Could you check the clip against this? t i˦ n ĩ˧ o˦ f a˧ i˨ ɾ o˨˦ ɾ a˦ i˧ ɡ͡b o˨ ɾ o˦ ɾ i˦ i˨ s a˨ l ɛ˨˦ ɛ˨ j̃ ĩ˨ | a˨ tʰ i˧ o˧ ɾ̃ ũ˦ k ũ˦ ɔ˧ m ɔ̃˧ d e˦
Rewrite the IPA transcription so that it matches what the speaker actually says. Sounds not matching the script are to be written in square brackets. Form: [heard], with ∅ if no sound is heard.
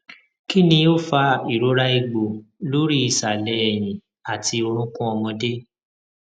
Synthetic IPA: [k] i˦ n ĩ˧ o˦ f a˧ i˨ ɾ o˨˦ ɾ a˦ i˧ ɡ͡b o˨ [l] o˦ ɾ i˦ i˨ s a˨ l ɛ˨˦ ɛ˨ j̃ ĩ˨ | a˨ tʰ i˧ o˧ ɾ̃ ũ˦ k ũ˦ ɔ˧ m ɔ̃˧ d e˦